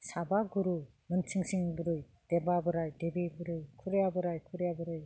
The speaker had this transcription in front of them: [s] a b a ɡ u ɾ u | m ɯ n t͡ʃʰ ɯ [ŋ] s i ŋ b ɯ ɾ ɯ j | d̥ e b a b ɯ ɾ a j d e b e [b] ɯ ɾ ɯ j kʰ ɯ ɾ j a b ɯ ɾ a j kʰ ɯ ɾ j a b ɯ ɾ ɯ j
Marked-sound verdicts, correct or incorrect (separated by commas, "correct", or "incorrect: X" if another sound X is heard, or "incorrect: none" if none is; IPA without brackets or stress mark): correct, correct, correct